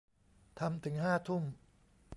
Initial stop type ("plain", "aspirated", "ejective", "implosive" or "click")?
aspirated